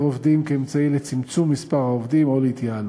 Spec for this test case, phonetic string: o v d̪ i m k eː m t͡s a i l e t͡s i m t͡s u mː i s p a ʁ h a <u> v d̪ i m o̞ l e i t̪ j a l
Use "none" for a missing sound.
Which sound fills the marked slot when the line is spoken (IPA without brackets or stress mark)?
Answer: o